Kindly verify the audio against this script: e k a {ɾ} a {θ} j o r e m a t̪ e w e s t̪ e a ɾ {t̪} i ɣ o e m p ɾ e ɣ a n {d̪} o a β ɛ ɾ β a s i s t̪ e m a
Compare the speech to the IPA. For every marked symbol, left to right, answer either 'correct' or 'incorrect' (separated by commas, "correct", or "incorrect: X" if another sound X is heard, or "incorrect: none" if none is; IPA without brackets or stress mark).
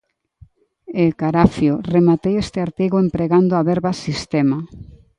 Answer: correct, incorrect: f, correct, correct